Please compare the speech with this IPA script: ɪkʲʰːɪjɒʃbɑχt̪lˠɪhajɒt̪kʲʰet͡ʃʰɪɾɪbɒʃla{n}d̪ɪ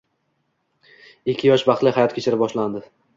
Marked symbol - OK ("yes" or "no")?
yes